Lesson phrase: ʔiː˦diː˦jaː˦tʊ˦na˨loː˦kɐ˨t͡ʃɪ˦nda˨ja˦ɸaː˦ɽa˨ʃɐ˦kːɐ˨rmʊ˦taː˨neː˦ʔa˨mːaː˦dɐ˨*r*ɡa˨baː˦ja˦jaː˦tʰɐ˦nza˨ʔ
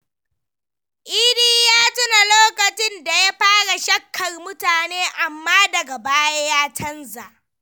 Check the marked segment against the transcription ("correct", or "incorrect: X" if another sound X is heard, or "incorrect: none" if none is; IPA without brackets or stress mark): incorrect: none